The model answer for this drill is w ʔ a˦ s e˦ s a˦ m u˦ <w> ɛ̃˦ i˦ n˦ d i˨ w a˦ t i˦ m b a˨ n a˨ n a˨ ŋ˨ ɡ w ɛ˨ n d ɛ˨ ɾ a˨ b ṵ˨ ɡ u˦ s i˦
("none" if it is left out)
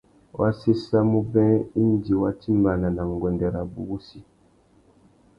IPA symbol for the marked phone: b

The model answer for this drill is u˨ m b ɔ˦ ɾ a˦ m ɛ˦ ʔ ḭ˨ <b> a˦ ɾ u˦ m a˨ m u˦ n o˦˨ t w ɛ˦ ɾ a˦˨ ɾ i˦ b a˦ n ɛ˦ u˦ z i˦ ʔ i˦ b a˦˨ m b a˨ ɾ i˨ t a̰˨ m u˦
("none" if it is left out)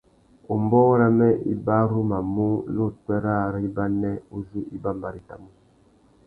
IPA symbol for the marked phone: b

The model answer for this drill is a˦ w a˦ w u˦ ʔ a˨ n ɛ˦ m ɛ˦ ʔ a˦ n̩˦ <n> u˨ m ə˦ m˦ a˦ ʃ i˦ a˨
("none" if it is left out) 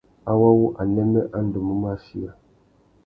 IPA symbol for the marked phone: d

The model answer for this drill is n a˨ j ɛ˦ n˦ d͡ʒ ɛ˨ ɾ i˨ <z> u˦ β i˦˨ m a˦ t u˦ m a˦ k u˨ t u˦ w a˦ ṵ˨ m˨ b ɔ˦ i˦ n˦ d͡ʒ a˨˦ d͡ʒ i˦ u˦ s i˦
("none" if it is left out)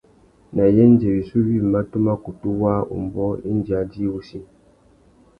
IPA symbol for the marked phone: s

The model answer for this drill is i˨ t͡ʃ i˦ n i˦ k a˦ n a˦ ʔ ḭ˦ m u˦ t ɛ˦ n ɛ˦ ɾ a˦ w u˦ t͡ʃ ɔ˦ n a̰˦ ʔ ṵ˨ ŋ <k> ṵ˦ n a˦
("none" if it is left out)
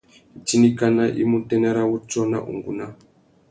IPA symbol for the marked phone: ɡ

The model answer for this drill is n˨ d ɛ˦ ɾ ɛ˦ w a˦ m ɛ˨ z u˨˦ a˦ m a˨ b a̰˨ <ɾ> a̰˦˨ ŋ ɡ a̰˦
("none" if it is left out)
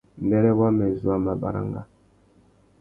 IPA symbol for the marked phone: ɾ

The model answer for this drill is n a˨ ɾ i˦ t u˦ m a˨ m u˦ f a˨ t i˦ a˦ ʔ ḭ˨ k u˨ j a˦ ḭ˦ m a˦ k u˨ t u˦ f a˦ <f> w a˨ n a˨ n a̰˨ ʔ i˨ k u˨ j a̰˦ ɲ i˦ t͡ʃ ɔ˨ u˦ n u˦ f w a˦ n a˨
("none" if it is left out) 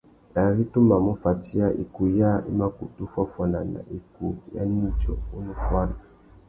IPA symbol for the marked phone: f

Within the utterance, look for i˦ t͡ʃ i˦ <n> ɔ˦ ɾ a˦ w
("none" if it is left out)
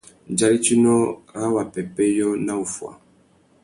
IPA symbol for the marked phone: n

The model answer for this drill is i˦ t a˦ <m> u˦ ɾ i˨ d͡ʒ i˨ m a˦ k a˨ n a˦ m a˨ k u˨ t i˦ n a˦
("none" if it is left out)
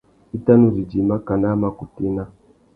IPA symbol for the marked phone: n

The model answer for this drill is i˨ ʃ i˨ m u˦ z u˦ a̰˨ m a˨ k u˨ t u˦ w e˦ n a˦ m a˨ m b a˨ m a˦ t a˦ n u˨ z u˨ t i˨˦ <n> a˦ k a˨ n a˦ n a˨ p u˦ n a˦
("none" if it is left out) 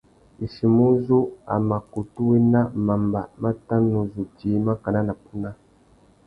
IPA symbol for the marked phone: m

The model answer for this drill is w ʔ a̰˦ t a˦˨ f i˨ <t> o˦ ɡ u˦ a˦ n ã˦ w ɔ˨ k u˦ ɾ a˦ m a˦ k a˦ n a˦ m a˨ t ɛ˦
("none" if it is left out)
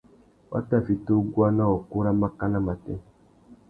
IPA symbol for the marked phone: t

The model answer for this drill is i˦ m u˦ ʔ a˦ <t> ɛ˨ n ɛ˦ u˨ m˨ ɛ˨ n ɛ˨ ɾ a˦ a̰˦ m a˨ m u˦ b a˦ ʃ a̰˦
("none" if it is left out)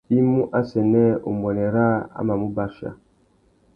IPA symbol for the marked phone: s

